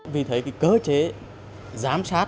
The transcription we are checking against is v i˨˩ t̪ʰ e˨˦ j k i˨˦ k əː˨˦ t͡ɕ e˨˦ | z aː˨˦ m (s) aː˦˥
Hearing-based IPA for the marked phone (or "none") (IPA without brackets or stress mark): s